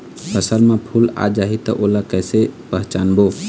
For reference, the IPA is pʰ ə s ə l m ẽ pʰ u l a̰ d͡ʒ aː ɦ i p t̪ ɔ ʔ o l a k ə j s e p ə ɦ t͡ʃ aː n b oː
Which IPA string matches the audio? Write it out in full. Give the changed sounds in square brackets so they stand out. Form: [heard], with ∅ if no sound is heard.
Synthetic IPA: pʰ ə s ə l m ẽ pʰ u l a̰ d͡ʒ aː ɦ i [∅] t̪ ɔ ʔ o l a k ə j s e p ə ɦ t͡ʃ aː n b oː

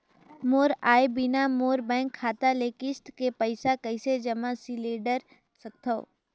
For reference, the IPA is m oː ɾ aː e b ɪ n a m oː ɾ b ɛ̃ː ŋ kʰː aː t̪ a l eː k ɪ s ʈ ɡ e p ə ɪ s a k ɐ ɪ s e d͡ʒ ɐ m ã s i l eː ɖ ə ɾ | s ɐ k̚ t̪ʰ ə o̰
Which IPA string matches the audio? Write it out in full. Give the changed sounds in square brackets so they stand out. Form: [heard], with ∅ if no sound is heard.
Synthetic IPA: m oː ɾ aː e b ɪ n a m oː ɾ b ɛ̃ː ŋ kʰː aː t̪ a l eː k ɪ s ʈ [k] e p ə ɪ s a k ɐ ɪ s e d͡ʒ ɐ m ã s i l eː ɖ ə ɾ | s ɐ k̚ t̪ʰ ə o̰

